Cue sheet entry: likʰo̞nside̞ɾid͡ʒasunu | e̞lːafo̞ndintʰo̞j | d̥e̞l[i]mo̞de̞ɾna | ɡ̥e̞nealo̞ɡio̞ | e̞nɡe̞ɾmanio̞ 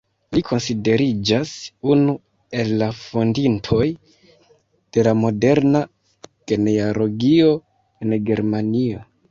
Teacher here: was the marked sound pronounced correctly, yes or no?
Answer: no